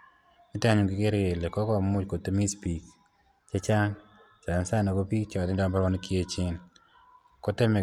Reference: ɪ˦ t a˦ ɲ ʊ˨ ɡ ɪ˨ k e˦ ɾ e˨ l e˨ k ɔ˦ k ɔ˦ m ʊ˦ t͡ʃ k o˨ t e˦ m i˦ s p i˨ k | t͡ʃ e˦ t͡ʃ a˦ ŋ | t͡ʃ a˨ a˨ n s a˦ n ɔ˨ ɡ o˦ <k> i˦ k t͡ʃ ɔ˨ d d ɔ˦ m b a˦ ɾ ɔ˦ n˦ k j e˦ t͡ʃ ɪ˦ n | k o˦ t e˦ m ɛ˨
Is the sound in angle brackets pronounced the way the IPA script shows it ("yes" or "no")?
no